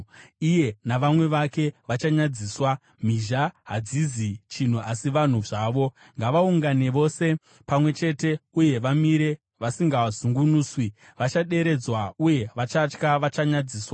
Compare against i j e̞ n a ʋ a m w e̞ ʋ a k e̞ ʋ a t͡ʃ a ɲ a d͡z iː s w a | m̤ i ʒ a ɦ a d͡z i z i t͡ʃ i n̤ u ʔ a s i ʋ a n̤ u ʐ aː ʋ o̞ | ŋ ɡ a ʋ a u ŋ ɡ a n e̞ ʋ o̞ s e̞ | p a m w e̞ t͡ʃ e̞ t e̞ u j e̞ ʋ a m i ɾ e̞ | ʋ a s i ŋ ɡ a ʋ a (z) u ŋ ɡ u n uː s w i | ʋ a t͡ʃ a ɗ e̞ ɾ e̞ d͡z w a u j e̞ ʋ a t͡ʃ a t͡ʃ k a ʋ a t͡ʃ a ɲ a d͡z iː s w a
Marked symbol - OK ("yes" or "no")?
yes